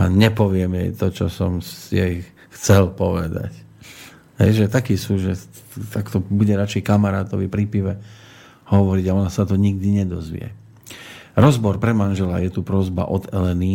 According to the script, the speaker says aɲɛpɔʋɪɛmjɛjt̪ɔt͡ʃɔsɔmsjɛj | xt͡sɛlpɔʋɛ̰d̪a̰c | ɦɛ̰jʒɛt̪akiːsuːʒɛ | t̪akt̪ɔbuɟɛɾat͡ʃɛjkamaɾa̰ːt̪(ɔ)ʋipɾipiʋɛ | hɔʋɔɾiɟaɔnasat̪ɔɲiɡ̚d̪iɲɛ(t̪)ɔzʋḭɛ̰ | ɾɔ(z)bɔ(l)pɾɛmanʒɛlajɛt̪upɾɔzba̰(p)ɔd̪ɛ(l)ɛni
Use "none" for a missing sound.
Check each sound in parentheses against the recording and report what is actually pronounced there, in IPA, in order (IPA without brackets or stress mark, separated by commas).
ɔ, d̪, z, ɾ, ʔ, l